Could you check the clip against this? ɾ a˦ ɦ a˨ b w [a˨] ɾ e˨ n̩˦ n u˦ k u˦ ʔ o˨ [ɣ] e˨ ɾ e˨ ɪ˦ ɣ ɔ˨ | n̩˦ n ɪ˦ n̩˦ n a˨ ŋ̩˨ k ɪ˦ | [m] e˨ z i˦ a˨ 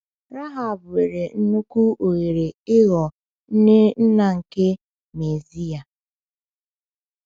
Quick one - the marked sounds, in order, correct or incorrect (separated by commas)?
incorrect, correct, correct